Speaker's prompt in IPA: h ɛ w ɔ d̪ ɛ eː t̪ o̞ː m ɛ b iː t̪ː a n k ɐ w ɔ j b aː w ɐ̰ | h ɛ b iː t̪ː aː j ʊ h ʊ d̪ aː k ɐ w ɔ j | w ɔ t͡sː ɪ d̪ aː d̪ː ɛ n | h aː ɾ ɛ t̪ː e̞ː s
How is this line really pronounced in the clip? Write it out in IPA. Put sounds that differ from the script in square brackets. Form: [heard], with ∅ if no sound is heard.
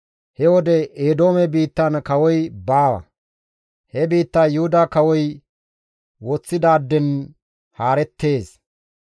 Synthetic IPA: h ɛ w ɔ d̪ ɛ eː [d̪] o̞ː m ɛ b iː t̪ː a n k ɐ w ɔ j b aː w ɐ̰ | h ɛ b iː t̪ː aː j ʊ h ʊ d̪ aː k ɐ w ɔ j | w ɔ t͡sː ɪ d̪ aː d̪ː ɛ n | h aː ɾ ɛ t̪ː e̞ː s